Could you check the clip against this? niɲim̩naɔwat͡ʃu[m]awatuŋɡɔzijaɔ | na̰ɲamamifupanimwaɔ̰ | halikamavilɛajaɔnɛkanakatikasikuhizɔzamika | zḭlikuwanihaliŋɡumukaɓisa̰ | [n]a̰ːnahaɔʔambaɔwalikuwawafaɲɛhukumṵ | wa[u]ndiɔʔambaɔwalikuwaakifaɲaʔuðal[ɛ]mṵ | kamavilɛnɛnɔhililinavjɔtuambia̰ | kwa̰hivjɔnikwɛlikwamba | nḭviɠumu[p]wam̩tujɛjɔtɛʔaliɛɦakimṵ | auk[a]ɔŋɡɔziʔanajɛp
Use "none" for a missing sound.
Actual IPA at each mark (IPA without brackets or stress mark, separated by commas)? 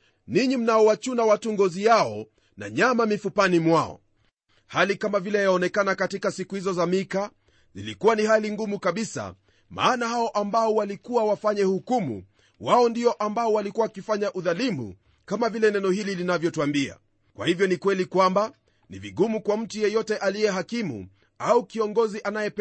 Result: n, m, ɔ, i, k, i